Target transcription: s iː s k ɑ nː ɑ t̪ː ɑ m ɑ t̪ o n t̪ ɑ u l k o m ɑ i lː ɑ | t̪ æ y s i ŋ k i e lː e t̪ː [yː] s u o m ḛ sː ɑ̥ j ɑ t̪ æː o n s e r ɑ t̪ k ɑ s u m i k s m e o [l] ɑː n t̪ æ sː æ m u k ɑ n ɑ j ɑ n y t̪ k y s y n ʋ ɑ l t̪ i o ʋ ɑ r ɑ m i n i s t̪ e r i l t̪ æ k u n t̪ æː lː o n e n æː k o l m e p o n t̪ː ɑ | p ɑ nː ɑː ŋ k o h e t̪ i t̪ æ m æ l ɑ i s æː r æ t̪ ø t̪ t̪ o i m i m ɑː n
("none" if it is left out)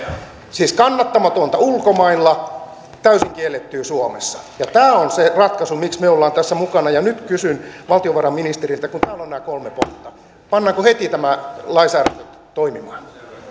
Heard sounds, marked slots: yː, lː

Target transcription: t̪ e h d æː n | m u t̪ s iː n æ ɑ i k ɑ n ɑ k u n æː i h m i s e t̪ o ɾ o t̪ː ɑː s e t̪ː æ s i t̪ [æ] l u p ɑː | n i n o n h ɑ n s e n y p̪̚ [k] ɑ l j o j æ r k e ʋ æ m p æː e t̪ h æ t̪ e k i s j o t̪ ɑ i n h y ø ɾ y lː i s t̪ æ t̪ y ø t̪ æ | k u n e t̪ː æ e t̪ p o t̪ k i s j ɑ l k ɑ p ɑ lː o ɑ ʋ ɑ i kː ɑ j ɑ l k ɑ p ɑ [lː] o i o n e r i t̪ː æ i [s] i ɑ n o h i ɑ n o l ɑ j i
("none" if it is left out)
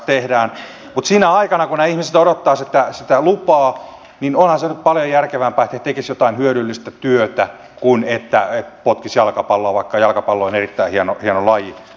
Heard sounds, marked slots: æ, p, lː, h

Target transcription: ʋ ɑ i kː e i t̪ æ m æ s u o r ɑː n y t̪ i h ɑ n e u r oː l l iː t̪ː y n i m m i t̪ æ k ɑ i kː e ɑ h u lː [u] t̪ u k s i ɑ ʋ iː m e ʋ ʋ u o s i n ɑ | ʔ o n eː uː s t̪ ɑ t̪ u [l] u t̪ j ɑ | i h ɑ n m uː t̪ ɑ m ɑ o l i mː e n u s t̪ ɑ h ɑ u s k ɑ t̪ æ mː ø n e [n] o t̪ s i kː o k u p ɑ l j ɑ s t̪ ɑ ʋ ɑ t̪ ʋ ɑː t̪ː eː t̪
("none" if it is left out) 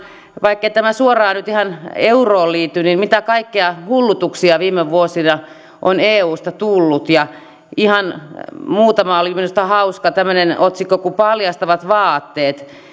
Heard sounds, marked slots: u, lː, n

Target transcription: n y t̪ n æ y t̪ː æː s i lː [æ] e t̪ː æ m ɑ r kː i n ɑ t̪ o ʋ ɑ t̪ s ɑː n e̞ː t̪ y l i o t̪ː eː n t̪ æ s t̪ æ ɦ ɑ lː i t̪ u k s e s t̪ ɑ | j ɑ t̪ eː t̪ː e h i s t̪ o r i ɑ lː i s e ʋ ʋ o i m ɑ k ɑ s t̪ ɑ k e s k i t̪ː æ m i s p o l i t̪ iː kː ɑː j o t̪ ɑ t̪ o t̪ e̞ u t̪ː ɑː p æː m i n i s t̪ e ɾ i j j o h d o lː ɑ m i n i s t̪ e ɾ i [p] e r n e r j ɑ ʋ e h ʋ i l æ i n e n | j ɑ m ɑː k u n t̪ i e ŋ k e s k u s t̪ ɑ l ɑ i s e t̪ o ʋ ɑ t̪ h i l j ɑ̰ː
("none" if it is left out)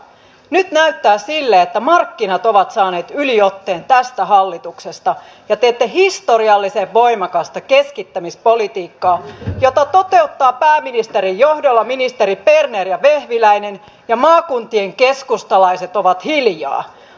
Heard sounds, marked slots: e, p

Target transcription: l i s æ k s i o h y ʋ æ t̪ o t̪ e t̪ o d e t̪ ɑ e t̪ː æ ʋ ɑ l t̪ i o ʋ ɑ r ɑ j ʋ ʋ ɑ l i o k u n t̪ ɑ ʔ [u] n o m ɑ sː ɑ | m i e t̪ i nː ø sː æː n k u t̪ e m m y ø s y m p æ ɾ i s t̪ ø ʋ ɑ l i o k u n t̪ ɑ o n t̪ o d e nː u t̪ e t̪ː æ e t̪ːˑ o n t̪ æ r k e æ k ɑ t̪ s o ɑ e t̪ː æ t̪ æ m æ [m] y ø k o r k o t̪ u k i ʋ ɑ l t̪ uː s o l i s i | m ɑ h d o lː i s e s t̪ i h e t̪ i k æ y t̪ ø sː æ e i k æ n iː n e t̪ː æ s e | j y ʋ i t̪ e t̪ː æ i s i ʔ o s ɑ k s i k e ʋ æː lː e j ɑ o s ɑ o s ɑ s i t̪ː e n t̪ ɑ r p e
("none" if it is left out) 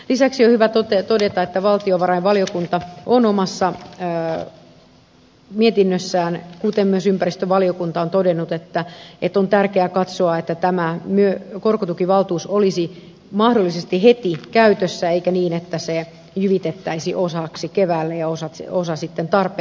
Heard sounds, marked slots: o, m

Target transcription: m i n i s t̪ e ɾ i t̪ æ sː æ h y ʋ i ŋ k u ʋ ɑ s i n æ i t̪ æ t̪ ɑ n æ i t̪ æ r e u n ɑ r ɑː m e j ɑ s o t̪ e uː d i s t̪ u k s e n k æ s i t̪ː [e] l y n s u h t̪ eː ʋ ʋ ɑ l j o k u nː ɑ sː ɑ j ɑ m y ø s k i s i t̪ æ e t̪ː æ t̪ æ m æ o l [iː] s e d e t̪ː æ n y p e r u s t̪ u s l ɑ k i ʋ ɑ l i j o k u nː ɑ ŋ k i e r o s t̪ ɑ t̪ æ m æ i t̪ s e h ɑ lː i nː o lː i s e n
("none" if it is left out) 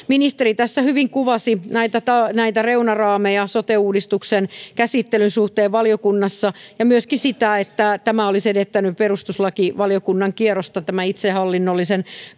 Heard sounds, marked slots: e, i

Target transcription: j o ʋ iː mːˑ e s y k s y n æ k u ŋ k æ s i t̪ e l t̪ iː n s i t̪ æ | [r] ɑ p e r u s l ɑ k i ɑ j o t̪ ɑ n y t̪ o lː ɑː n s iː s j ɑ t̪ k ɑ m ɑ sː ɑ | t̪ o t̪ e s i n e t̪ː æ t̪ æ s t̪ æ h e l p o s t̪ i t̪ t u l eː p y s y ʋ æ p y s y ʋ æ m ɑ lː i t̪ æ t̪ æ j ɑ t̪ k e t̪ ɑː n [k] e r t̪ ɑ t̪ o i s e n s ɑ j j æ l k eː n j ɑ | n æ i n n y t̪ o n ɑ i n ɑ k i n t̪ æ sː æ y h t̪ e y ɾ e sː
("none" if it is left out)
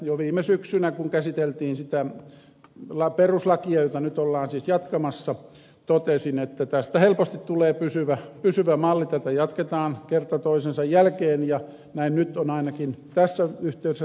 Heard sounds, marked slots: l, k

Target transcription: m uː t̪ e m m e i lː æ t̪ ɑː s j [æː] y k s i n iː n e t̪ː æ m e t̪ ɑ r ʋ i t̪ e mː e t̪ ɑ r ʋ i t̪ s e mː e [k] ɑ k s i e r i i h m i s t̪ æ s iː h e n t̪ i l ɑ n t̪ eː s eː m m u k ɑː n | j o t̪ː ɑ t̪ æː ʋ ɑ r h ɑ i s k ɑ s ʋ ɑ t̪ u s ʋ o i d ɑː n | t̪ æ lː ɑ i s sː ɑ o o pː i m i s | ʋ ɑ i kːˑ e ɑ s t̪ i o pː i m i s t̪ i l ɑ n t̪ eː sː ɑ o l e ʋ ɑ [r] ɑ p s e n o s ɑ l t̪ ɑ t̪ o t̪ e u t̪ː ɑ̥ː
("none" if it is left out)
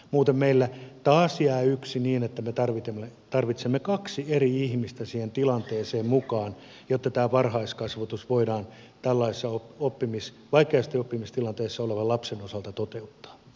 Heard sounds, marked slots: æː, k, l

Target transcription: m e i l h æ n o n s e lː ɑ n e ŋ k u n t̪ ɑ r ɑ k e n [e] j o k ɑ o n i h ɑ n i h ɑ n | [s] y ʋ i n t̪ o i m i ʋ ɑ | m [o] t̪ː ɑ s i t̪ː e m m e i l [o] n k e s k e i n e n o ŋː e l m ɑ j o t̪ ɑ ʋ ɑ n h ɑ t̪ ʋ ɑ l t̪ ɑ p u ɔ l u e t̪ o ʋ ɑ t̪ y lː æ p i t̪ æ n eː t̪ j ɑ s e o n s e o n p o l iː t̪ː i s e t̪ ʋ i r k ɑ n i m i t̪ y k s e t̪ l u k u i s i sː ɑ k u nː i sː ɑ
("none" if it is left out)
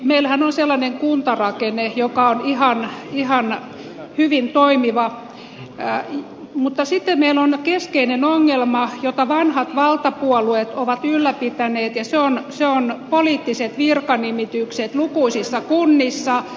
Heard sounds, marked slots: e, h, u, o

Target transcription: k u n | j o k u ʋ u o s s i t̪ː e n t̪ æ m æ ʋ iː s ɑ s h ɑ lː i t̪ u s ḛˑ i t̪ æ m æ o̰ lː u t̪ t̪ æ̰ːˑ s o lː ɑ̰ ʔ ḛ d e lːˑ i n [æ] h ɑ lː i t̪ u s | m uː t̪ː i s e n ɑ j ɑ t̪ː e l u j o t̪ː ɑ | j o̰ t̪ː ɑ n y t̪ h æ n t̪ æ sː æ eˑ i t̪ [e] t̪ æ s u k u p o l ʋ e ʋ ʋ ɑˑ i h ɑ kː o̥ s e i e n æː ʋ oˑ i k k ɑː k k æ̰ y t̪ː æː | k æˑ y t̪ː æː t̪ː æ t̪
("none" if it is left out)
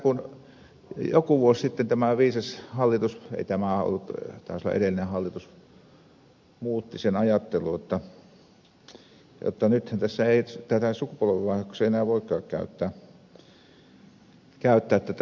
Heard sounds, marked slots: e, æ

